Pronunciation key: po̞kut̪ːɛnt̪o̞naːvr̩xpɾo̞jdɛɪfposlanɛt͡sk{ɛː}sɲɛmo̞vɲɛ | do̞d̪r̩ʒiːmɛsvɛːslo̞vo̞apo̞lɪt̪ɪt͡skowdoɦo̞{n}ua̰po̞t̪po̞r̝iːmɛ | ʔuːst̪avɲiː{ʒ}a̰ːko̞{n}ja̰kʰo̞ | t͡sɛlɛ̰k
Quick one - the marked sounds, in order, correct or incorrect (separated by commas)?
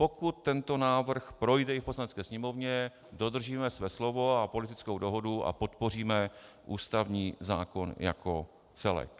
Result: correct, incorrect, incorrect, correct